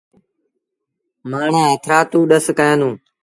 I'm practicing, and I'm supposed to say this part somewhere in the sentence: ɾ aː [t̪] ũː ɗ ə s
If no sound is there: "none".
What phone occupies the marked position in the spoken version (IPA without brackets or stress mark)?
t̪